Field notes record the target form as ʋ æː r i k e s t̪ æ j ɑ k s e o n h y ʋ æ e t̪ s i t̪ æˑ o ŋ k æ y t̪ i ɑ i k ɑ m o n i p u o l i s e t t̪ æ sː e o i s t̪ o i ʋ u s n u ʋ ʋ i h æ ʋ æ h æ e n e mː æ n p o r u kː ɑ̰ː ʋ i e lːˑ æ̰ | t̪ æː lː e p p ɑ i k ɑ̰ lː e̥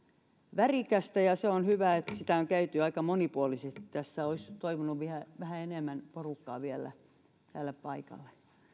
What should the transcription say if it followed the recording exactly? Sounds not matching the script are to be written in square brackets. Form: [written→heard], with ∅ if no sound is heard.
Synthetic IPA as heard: ʋ [æː→æ] r i k [e→æ] s t̪ æ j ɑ [k→∅] s e o n h y ʋ æ e t̪ s i t̪ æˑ o ŋ k æ y t̪ [i→y] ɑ i k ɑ m o n i p u o l i s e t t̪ æ sː [e→æ] o i s t̪ o i ʋ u [s→∅] n u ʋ ʋ i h æ ʋ æ h æ e n e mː æ n p o r u kː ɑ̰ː ʋ i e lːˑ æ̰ | t̪ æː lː e p p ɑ i k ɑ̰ lː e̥